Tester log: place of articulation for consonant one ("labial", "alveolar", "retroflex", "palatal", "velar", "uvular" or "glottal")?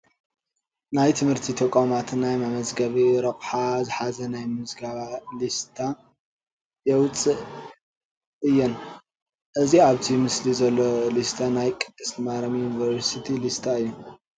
alveolar